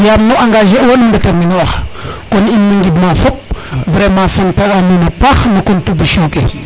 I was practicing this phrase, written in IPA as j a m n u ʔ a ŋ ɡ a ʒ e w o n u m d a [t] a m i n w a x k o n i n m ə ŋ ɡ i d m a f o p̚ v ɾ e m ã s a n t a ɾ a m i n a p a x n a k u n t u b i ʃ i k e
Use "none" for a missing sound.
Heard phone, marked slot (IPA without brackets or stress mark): t